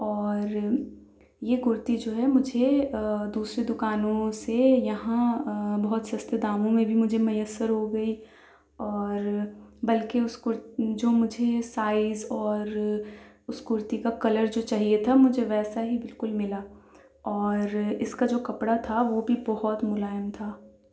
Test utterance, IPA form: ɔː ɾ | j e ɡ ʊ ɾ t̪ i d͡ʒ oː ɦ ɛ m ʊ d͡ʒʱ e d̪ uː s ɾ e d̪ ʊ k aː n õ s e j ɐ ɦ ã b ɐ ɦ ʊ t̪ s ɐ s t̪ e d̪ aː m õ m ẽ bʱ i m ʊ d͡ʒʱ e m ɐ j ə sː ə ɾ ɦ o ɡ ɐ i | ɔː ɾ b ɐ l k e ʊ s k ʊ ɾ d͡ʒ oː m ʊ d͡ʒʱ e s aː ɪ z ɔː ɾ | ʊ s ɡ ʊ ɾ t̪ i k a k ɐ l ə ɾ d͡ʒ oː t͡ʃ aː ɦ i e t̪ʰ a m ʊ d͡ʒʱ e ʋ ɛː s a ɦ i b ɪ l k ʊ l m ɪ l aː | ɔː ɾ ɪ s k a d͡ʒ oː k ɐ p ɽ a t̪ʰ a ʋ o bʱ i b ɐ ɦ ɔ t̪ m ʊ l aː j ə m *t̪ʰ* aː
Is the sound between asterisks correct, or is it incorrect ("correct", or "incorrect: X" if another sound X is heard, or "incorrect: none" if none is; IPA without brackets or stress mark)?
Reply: correct